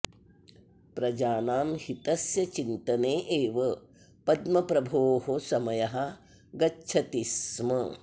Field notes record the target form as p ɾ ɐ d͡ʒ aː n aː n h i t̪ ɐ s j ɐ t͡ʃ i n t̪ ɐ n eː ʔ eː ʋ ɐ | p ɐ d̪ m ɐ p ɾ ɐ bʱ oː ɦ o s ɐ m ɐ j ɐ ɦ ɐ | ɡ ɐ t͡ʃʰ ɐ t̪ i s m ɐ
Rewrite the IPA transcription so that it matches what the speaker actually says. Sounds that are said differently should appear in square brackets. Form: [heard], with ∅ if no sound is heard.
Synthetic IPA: p ɾ ɐ d͡ʒ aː n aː [m] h i t̪ ɐ s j ɐ t͡ʃ i n t̪ ɐ n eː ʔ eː ʋ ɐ | p ɐ d̪ m ɐ p ɾ ɐ bʱ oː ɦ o s ɐ m ɐ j ɐ ɦ ɐ | ɡ ɐ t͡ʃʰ ɐ t̪ i s m ɐ

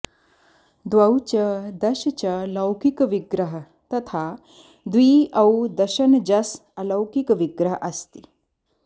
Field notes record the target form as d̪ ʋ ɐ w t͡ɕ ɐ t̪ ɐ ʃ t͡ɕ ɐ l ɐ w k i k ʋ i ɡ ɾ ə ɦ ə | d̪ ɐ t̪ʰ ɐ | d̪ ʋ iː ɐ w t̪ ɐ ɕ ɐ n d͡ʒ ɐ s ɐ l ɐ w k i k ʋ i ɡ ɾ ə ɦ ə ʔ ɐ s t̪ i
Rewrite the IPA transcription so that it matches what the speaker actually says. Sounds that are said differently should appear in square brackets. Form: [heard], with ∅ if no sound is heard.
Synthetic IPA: d̪ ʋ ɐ w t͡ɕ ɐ [d̪] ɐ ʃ t͡ɕ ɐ l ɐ w k i k ʋ i ɡ ɾ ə ɦ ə | [t̪] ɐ t̪ʰ [a] | d̪ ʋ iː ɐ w [d̪] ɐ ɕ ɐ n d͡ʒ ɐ s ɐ l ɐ w k i k ʋ i ɡ ɾ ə ɦ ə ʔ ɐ s t̪ i

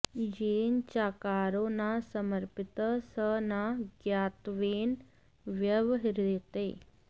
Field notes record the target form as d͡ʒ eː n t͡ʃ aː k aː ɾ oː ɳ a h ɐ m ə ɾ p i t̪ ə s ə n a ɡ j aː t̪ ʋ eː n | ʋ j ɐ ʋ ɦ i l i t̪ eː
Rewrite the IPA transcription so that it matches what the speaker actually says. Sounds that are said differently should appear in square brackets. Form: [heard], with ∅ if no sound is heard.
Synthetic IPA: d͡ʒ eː n t͡ʃ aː k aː ɾ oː [n] a [s] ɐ m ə ɾ p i t̪ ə s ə n a ɡ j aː t̪ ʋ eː n | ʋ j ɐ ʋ ɦ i [ɾ] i t̪ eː

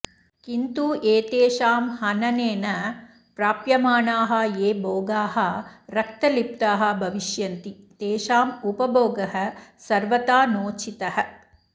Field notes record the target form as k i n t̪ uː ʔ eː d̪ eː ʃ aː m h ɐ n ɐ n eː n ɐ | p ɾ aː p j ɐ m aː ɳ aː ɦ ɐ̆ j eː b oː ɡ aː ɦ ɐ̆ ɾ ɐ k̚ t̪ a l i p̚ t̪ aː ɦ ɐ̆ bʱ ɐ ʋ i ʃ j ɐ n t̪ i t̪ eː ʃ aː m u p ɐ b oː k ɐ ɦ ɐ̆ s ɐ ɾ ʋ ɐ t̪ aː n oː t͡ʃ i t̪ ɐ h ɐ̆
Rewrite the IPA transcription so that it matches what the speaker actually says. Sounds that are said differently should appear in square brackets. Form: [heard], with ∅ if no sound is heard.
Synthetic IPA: k i n t̪ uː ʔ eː [t̪] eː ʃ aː m h ɐ n ɐ n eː n ɐ | p ɾ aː p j ɐ m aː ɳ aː ɦ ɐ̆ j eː b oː ɡ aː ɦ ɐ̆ ɾ ɐ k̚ t̪ [ɐ] l i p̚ t̪ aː ɦ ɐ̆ bʱ ɐ ʋ i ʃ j ɐ n t̪ i t̪ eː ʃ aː m u p ɐ b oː [ɡ] ɐ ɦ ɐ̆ s ɐ ɾ ʋ ɐ t̪ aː n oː t͡ʃ i t̪ ɐ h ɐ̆

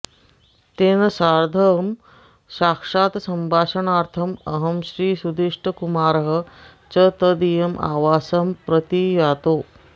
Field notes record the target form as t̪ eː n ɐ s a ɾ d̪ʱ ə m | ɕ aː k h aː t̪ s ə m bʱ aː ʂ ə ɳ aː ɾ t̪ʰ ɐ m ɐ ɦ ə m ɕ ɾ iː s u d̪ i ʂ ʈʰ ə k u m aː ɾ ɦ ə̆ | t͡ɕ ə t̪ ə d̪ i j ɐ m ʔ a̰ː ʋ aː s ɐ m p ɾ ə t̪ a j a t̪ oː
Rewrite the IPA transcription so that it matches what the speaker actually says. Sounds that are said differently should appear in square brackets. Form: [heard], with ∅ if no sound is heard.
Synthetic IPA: t̪ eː n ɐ s a ɾ d̪ʱ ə m | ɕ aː k [ʂ] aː t̪ s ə m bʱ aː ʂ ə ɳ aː ɾ t̪ʰ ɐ m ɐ ɦ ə m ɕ ɾ iː s u d̪ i ʂ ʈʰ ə k u m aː ɾ ɦ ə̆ | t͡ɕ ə t̪ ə d̪ i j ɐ m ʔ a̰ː ʋ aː s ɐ m p ɾ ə t̪ [i] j a t̪ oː

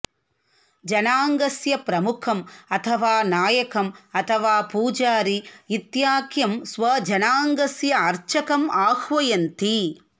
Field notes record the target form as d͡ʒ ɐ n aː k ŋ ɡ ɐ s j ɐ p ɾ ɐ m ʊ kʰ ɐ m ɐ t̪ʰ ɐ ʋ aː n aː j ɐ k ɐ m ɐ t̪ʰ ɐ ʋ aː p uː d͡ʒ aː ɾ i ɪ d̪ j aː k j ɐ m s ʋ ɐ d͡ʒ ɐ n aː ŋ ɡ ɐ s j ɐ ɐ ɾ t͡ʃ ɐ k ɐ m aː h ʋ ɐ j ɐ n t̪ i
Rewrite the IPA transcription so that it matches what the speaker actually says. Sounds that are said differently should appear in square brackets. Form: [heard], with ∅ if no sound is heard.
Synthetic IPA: d͡ʒ ɐ n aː [∅] ŋ ɡ ɐ s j ɐ p ɾ ɐ m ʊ kʰ ɐ m ɐ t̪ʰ ɐ ʋ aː n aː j ɐ k ɐ m ɐ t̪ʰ ɐ ʋ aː p uː d͡ʒ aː ɾ i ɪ [t̪] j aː k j ɐ m s ʋ ɐ d͡ʒ ɐ n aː ŋ ɡ ɐ s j ɐ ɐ ɾ t͡ʃ ɐ k ɐ m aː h ʋ ɐ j ɐ n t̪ i

